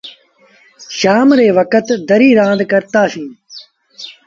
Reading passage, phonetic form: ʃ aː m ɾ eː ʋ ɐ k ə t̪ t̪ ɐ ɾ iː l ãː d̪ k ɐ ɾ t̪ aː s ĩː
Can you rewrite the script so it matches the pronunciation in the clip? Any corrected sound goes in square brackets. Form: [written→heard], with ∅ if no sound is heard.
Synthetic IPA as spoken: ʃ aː m ɾ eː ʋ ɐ k ə t̪ [t̪→d̪] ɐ ɾ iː [l→ɾ] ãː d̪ k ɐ ɾ t̪ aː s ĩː